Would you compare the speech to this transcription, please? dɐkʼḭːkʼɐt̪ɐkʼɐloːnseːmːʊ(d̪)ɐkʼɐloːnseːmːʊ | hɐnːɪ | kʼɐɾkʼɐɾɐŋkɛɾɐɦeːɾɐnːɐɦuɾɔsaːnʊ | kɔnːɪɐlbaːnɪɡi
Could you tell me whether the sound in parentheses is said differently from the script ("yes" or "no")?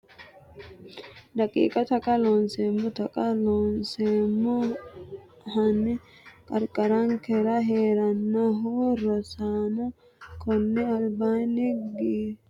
yes